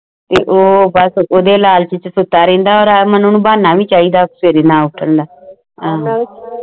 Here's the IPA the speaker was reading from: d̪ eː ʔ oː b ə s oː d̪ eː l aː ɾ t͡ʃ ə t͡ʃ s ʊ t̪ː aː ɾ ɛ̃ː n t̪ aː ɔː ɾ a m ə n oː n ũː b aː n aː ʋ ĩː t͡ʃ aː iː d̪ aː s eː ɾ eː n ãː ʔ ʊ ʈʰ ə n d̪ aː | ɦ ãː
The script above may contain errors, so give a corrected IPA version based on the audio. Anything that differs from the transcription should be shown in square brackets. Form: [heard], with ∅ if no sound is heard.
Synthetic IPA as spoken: [t̪] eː ʔ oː b ə s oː d̪ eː l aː [l] t͡ʃ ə t͡ʃ s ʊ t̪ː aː ɾ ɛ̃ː n [d̪] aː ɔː ɾ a m ə n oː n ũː b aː n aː ʋ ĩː t͡ʃ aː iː d̪ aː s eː ɾ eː n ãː [∅] ʊ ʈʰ ə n d̪ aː | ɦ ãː